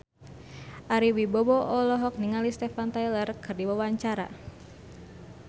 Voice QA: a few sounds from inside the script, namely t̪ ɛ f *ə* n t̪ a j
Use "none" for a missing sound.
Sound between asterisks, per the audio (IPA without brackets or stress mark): a